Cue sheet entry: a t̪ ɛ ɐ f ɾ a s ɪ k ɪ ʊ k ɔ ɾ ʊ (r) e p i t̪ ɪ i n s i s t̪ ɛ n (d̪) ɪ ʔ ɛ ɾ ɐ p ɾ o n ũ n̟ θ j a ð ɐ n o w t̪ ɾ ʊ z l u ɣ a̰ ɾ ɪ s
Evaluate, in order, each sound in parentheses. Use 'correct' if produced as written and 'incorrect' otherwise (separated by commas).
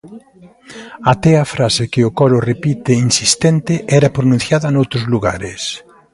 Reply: correct, incorrect